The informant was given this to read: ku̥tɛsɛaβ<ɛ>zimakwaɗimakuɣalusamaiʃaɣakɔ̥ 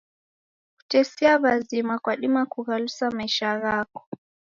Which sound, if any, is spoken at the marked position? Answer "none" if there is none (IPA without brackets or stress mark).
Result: a